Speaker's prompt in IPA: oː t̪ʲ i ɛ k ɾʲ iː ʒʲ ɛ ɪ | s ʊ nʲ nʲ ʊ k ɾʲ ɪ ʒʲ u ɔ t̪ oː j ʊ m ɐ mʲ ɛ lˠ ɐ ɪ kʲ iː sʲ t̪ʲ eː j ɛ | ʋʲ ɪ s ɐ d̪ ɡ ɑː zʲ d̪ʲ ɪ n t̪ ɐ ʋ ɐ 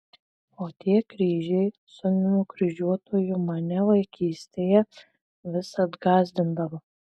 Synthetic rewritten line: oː t̪ʲ i ɛ k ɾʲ iː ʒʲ ɛ ɪ | s ʊ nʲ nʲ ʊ k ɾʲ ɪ ʒʲ u ɔ t̪ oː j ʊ m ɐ nʲ ɛ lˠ ɐ ɪ kʲ iː sʲ t̪ʲ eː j ɛ | ʋʲ ɪ s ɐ d̪ ɡ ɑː zʲ d̪ʲ ɪ n d̪ ɐ ʋ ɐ